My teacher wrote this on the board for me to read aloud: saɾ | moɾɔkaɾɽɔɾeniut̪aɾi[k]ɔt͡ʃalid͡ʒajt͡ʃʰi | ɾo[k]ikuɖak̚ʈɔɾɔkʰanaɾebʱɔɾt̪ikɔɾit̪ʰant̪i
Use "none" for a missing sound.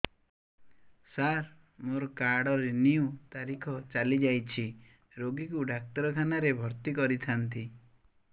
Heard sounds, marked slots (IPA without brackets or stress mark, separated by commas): kʰ, ɡ